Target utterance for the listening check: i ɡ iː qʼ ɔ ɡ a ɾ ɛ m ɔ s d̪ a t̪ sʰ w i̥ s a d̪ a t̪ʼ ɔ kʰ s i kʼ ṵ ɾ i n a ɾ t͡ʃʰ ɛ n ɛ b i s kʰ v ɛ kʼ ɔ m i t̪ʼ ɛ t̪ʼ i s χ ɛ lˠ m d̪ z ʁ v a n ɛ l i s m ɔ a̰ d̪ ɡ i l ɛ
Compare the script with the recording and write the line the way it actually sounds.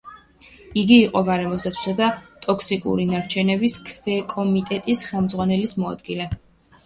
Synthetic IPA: i ɡ iː qʼ ɔ ɡ a ɾ ɛ m ɔ s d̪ a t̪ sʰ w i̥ s a d̪ a t̪ʼ ɔ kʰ s i kʼ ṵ ɾ i n a ɾ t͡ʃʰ ɛ n ɛ b i s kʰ v ɛ kʼ ɔ m i t̪ʼ ɛ t̪ʼ i s χ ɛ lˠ m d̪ z ʁ w a n ɛ l i s m ɔ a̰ d̪ ɡ i l ɛ